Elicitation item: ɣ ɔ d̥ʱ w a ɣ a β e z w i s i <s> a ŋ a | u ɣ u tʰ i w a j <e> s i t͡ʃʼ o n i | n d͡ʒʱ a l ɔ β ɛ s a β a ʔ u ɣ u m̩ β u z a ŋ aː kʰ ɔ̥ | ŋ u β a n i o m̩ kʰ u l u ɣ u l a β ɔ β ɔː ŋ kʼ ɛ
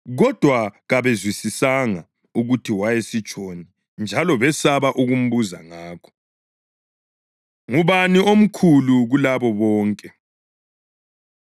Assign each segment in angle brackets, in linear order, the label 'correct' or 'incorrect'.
correct, correct

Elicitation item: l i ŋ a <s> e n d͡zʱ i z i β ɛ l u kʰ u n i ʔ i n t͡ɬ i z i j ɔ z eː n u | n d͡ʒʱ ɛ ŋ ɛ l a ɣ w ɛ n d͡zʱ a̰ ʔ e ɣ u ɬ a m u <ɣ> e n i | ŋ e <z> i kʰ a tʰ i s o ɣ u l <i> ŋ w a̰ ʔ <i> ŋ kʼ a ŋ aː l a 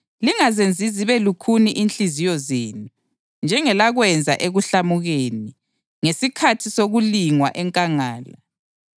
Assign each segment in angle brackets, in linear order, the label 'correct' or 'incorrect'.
incorrect, correct, incorrect, correct, incorrect

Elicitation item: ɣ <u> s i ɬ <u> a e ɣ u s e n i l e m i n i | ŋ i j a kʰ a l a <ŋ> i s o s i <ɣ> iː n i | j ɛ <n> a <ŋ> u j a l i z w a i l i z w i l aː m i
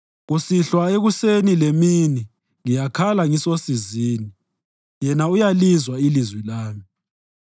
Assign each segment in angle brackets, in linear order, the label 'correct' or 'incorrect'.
correct, incorrect, correct, incorrect, correct, incorrect

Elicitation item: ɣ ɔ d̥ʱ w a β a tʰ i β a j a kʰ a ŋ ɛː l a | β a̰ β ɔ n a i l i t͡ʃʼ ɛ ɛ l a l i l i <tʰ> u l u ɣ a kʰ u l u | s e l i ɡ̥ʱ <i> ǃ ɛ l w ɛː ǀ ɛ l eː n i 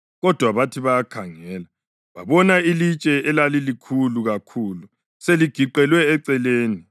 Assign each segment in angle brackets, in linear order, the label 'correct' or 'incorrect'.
incorrect, correct

